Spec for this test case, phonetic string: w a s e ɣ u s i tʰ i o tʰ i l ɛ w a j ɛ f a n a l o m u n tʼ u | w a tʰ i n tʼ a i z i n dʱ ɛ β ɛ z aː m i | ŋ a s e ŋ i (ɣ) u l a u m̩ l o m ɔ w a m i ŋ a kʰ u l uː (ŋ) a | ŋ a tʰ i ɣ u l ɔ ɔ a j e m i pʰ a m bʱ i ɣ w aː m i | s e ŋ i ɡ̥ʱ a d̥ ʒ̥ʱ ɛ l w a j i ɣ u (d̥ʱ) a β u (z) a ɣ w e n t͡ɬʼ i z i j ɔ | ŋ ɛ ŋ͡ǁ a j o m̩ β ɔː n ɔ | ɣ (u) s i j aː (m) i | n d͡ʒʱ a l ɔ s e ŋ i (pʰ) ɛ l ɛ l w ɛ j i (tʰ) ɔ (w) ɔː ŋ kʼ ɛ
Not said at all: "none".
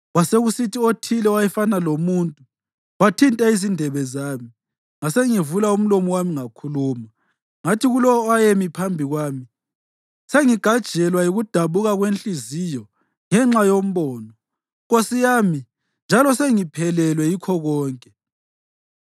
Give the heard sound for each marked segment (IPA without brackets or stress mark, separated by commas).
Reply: v, m, d̥ʱ, ɣ, o, m, pʰ, kʰ, ɣ